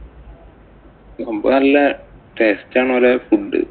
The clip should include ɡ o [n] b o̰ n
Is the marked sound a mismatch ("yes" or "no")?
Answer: yes